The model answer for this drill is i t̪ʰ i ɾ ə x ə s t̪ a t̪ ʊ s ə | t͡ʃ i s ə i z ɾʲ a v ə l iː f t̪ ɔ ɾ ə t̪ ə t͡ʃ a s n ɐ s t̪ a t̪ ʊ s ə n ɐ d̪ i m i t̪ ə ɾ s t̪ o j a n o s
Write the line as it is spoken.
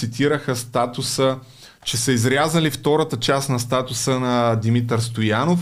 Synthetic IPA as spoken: i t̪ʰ i ɾ ə x ə s t̪ a t̪ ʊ s ə | t͡ʃ ɛ s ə i z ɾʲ a z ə l i f t̪ ɔ ɾ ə t̪ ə t͡ʃ a s n ɐ s t̪ a t̪ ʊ s ə n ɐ d̪ i m i t̪ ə ɾ s t̪ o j a n o f